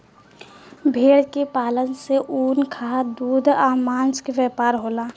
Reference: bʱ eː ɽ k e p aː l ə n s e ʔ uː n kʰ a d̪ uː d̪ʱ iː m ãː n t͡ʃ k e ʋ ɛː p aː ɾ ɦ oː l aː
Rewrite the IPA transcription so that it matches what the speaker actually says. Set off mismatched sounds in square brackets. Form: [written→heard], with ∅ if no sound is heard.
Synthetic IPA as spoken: bʱ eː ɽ k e p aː l ə n s e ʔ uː n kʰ a d̪ uː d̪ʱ [iː→aː] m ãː n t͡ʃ k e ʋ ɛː p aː ɾ ɦ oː l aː